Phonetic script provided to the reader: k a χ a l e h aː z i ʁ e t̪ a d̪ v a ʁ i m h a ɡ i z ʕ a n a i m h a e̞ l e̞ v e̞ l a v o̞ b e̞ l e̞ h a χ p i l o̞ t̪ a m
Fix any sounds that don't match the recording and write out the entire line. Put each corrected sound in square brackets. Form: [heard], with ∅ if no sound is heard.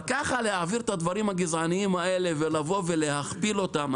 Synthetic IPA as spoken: k a χ a l e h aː [v] i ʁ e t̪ a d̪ v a ʁ i m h a ɡ i z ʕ a n [i] i m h a e̞ l e̞ v e̞ l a v o̞ [v] e̞ l e̞ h a χ p i l o̞ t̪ a m